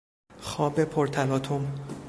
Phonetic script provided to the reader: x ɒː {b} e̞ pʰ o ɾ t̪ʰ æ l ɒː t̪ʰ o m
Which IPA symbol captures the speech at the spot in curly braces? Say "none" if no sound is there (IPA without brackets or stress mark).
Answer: b